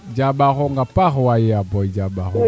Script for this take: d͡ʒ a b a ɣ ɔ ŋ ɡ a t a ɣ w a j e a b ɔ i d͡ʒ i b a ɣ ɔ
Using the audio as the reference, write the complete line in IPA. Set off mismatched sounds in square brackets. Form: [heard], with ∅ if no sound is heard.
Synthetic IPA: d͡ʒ a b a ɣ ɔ ŋ ɡ a [p] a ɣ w a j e a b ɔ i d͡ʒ [a] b a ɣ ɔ